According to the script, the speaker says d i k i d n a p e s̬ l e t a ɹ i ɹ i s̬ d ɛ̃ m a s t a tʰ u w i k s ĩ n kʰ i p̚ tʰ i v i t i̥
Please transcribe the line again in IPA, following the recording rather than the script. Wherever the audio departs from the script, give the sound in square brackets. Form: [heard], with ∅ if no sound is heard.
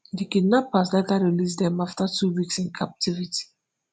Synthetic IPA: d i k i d n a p [a] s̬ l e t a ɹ i [l] i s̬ d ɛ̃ m a [f] t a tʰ u w i k s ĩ n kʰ [a] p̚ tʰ i v i t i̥